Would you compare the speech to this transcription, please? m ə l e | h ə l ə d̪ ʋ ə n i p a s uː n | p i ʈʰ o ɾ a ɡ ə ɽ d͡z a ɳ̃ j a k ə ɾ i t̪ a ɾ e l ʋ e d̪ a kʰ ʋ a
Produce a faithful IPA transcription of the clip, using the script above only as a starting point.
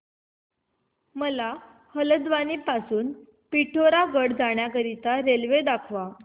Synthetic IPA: m ə l a | h ə l ə d̪ ʋ a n i p a s uː n | p i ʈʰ o ɾ a ɡ ə ɽ d͡z a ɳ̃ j a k ə ɾ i t̪ a ɾ e l ʋ e d̪ a kʰ ʋ a